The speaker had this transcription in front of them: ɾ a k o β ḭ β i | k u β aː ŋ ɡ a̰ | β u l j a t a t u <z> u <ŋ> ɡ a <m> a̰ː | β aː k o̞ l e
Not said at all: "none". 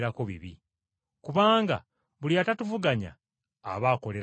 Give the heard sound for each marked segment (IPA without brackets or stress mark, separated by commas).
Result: v, none, ɲ